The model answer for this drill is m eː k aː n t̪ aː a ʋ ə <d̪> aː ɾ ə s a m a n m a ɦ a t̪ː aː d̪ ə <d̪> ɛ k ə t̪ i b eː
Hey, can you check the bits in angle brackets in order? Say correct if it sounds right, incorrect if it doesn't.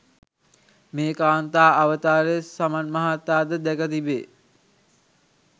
incorrect, correct

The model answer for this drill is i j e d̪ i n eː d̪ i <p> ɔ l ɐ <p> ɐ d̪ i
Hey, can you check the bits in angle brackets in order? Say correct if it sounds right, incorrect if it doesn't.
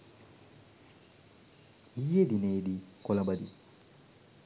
incorrect, incorrect

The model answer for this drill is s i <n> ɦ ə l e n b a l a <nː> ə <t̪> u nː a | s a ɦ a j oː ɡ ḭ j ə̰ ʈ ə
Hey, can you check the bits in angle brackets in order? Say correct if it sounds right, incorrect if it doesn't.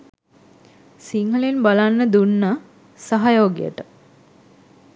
incorrect, correct, incorrect

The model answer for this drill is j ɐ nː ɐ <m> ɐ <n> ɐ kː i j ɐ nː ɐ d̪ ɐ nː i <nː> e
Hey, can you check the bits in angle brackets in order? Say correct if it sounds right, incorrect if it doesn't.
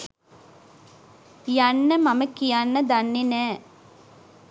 correct, incorrect, incorrect

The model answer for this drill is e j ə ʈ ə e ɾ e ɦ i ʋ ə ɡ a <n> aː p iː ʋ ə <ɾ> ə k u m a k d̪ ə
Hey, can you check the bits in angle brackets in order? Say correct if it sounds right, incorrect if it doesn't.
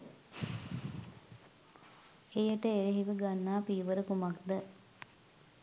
incorrect, correct

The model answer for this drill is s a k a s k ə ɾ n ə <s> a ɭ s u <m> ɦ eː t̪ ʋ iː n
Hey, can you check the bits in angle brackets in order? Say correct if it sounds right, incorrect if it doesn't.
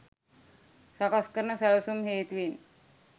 correct, correct

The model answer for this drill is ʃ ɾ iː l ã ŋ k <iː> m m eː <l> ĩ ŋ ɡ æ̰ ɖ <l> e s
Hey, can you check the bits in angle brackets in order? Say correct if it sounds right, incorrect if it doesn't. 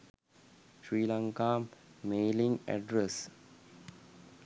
incorrect, correct, incorrect

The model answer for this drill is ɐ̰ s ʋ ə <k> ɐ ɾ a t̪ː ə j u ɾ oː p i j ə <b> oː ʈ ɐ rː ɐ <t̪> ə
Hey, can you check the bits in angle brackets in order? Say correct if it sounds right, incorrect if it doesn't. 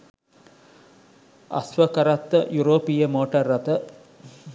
correct, incorrect, correct

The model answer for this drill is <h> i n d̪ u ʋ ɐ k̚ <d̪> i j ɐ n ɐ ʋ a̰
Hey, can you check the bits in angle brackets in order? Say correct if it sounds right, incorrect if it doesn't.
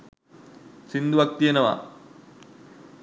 incorrect, incorrect

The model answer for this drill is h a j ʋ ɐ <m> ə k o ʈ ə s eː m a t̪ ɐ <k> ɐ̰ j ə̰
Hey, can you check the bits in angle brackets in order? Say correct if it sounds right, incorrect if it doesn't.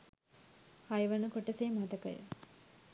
incorrect, correct

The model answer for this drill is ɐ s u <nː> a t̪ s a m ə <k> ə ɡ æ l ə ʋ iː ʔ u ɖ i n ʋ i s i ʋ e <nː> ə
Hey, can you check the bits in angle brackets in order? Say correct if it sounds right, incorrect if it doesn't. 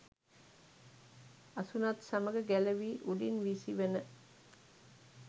incorrect, incorrect, incorrect

